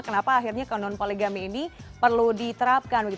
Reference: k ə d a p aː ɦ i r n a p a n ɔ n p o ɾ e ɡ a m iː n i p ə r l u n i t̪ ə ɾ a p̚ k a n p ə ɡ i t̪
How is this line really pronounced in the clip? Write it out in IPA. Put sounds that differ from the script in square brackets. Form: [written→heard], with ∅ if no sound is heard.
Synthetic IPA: k ə [d→n] a p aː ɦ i r [n→ɲ] a [p→k] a n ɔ n p o [ɾ→l] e ɡ a m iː n i p ə r l u [n→d] i t̪ ə ɾ a p̚ k a n [p→b] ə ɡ i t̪